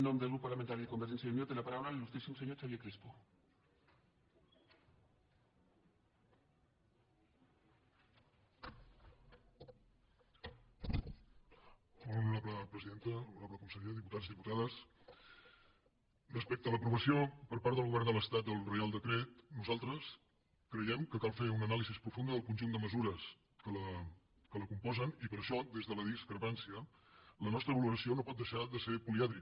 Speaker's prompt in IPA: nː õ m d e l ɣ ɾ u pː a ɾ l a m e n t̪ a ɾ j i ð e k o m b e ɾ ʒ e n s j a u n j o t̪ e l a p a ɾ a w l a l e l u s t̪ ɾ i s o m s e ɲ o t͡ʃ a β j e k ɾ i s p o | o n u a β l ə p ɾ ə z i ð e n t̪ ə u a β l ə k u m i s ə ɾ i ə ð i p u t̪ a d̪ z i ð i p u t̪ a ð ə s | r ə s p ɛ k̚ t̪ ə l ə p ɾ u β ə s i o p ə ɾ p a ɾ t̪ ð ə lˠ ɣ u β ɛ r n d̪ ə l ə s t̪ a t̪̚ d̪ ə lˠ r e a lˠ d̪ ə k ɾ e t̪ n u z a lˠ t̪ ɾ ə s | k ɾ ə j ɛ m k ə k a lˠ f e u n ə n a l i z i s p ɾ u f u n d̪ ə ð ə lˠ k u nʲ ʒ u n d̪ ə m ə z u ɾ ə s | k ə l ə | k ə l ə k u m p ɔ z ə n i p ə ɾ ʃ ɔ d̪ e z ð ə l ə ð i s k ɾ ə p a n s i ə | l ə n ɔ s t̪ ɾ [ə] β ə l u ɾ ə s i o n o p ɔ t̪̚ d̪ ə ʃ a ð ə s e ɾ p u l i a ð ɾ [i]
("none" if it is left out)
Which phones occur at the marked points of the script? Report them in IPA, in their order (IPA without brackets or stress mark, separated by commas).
ə, i